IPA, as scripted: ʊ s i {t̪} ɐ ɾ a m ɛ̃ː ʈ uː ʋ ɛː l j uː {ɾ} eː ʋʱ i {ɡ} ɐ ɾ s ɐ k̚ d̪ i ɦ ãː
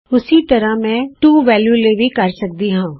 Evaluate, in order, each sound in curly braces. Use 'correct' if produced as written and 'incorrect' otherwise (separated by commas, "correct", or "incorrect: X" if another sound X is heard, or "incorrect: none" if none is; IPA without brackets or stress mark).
correct, incorrect: l, incorrect: k